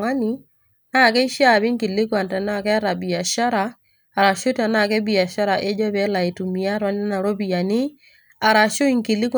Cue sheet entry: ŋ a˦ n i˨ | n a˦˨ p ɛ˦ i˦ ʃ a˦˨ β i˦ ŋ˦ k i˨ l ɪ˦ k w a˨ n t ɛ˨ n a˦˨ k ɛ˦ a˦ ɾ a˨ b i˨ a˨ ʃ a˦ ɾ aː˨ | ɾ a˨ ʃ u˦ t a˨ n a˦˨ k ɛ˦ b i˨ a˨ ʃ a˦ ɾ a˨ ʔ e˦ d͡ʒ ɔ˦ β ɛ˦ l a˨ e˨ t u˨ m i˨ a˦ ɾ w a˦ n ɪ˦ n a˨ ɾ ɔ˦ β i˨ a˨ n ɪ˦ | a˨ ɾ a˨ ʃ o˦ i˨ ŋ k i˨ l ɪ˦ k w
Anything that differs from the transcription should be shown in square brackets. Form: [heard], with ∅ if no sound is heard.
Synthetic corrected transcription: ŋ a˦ n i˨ | n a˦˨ [k] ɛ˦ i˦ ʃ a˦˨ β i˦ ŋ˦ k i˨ l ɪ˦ k w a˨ n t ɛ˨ n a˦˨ k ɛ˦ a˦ ɾ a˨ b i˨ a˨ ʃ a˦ ɾ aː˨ | ɾ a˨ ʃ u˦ t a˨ n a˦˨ k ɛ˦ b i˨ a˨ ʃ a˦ ɾ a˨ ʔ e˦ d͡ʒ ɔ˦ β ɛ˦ l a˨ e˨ t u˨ m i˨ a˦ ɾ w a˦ n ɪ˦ n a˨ ɾ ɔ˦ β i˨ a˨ n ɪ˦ | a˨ ɾ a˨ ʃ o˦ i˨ ŋ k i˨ l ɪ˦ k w